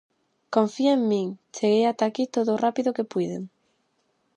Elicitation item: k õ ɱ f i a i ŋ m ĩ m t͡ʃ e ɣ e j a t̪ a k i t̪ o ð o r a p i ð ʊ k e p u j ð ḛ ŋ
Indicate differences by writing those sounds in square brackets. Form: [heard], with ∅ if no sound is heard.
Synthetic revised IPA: k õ ɱ f i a [e] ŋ m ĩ [ŋ] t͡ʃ e ɣ e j a t̪ a k i t̪ o ð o r a p i ð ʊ k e p u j ð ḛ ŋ